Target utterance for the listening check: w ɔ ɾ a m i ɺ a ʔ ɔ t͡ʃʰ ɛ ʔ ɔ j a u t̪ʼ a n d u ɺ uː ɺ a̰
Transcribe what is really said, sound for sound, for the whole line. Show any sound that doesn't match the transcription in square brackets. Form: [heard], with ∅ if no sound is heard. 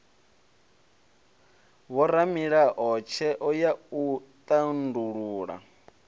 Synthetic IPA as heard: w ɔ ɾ a m i ɺ a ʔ ɔ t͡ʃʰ ɛ ʔ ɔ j a u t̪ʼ a n d u ɺ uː ɺ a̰